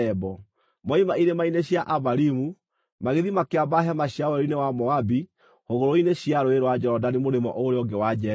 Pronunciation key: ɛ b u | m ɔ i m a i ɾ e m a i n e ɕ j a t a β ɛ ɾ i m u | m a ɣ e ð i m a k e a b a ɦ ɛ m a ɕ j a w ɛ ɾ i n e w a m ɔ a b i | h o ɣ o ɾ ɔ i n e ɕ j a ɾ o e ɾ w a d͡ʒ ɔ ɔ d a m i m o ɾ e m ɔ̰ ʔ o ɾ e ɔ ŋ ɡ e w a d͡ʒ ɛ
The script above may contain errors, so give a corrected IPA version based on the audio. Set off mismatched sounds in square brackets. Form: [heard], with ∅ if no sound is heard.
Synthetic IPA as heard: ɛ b [ɔ] | m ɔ i m a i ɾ e m a i n e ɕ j a [ʔ] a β [a] ɾ i m u | m a ɣ e ð i m a k e a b a ɦ ɛ m a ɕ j a w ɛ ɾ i n e w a m ɔ a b i | h o ɣ o ɾ [o] i n e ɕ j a ɾ o e ɾ w a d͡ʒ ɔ ɔ d a [n] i m o ɾ e m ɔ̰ ʔ o ɾ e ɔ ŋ ɡ e w a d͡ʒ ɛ